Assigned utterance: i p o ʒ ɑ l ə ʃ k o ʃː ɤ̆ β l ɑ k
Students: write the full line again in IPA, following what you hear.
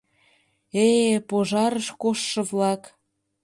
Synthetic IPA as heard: e p o ʒ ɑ ɾ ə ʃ k o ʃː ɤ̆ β l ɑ k